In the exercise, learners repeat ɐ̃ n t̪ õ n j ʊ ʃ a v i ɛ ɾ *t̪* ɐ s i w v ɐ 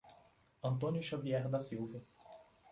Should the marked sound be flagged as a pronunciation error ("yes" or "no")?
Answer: yes